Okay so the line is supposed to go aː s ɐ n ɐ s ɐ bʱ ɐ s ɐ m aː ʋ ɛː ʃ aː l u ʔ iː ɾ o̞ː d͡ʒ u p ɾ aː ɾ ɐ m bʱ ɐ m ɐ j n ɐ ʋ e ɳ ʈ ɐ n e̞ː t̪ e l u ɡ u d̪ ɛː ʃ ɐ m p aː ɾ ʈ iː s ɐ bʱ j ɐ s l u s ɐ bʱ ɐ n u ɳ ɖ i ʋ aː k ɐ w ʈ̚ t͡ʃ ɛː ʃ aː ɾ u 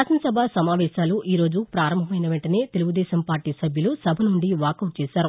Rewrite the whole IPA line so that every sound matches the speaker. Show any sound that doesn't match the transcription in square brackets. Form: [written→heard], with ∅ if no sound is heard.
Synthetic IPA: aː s ɐ n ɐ s ɐ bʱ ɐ s ɐ m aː ʋ ɛː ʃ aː l u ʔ iː ɾ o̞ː d͡ʒ u p ɾ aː ɾ ɐ m bʱ ɐ m ɐ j n ɐ ʋ e ɳ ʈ ɐ n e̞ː t̪ e l u ɡ u d̪ ɛː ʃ ɐ m p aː ɾ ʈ iː s ɐ bʱ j ɐ [s→∅] l u s ɐ bʱ ɐ n u ɳ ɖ i ʋ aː k ɐ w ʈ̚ t͡ʃ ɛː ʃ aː ɾ u

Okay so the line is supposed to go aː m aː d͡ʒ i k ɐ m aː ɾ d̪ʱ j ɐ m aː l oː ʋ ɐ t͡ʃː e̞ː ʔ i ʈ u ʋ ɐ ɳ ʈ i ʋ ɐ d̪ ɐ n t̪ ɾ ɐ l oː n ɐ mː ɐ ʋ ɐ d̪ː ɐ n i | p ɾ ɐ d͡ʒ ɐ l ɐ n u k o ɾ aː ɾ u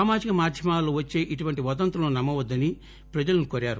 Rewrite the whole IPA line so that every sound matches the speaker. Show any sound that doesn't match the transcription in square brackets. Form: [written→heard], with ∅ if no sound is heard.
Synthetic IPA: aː m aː d͡ʒ i k ɐ m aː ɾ d̪ʱ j ɐ m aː l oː ʋ ɐ t͡ʃː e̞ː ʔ i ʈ u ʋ ɐ ɳ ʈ i ʋ ɐ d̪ ɐ n t̪ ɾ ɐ l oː n ɐ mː ɐ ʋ ɐ d̪ː ɐ n i | p ɾ ɐ d͡ʒ ɐ l ɐ n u k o ɾ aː ɾ u

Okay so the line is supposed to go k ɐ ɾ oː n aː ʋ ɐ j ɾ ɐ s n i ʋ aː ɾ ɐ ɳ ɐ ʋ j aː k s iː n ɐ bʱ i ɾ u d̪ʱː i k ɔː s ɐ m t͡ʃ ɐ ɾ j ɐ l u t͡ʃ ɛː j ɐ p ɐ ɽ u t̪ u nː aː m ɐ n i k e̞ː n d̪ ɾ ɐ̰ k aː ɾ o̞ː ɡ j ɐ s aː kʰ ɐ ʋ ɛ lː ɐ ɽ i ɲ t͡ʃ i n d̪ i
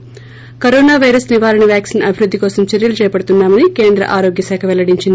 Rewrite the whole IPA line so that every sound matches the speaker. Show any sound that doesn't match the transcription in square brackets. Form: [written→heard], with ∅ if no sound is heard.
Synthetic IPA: k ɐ ɾ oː n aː ʋ ɐ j ɾ ɐ s n i ʋ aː ɾ ɐ ɳ ɐ ʋ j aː k s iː n ɐ bʱ i ɾ u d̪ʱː i k ɔː s ɐ m t͡ʃ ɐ ɾ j ɐ l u t͡ʃ ɛː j ɐ p ɐ ɽ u t̪ u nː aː m ɐ n i k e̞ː n d̪ ɾ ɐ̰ [k→ʔ] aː ɾ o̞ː ɡ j ɐ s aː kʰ ɐ ʋ ɛ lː ɐ ɽ i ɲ t͡ʃ i n d̪ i

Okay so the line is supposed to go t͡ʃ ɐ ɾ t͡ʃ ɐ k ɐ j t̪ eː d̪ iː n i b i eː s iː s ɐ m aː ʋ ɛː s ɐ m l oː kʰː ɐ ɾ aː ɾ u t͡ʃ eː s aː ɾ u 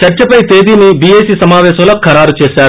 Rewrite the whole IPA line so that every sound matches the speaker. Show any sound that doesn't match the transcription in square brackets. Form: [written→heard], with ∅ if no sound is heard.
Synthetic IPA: t͡ʃ ɐ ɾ t͡ʃ ɐ [k→p] ɐ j t̪ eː d̪ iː n i b i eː s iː s ɐ m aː ʋ ɛː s ɐ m l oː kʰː ɐ ɾ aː ɾ u t͡ʃ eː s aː ɾ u

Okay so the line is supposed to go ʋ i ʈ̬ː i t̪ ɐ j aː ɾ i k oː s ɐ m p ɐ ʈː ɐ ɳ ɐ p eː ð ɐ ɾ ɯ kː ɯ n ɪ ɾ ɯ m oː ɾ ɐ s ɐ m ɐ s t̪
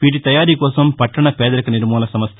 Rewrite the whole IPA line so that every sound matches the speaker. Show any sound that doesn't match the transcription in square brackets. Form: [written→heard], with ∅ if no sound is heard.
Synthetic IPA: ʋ [i→iː] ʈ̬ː i t̪ ɐ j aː ɾ i k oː s ɐ m p ɐ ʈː ɐ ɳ ɐ p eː ð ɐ ɾ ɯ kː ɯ n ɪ ɾ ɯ m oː [ɾ→l] ɐ s ɐ m ɐ s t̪

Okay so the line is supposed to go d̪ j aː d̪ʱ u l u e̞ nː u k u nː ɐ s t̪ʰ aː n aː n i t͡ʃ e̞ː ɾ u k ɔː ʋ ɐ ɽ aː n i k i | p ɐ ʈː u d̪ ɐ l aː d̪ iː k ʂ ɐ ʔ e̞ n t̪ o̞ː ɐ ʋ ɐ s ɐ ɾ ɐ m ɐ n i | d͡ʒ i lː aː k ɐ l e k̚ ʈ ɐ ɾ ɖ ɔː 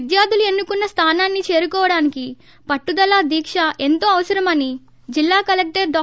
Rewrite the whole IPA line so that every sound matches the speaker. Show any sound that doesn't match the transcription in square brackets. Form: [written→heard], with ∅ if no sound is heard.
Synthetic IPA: d̪ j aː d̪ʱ u l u e̞ nː u k u nː ɐ s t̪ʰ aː n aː [n→nː] i t͡ʃ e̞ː ɾ u k ɔː ʋ ɐ ɽ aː n i k i | p ɐ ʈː u d̪ ɐ l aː d̪ iː k ʂ ɐ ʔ e̞ n t̪ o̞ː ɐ ʋ ɐ s ɐ ɾ ɐ m ɐ n i | d͡ʒ i lː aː k ɐ l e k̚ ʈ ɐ ɾ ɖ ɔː

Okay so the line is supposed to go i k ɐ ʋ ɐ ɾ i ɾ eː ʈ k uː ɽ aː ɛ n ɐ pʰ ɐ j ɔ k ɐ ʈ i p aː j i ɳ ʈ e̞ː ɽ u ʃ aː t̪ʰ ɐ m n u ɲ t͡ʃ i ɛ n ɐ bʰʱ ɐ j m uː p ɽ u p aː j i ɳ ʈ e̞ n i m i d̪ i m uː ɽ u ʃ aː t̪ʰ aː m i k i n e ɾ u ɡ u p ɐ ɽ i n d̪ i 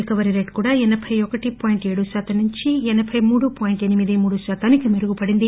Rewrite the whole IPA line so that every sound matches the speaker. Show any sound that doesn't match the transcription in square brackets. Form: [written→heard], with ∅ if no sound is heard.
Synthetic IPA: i k ɐ ʋ ɐ ɾ i ɾ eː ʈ k uː ɽ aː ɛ n ɐ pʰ ɐ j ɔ k ɐ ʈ i p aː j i ɳ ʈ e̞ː ɽ u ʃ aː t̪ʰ ɐ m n u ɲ t͡ʃ i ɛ n ɐ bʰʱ ɐ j m uː [p→∅] ɽ u p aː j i ɳ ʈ e̞ n i m i d̪ i m uː ɽ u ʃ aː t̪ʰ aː [m→n] i k i [n→m] e ɾ u ɡ u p ɐ ɽ i n d̪ i

